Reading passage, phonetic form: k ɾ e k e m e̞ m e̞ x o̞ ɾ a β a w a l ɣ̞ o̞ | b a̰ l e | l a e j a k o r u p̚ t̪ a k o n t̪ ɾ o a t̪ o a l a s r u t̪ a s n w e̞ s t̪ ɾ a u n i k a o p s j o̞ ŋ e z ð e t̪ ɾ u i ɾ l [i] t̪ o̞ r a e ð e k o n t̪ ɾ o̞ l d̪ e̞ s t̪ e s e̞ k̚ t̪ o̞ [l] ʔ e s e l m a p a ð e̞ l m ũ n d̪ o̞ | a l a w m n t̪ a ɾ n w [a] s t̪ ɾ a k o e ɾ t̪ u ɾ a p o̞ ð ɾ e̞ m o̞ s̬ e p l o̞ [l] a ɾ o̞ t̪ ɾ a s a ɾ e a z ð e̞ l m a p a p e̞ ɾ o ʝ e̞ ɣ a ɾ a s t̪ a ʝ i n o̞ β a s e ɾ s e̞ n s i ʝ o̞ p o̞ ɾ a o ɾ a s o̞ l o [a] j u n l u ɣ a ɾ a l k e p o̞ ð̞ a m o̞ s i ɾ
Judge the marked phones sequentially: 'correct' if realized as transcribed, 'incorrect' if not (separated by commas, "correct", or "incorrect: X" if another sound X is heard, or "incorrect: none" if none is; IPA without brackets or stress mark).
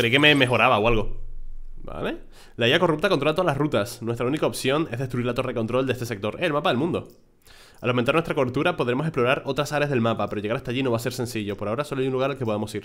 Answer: incorrect: a, incorrect: ɾ, incorrect: e, incorrect: ɾ, correct